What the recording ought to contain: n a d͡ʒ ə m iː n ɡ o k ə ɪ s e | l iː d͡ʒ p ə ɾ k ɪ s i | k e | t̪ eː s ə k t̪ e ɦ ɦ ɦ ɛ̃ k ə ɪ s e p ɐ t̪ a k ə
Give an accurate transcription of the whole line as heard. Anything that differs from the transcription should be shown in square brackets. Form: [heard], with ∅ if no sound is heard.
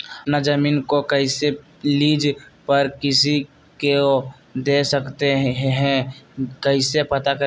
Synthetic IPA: n a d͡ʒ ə m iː n [k] o k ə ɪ s e | l iː d͡ʒ p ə ɾ k ɪ s i | k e | [d̪] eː s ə k t̪ e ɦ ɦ ɦ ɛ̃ k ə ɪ s e p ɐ t̪ a k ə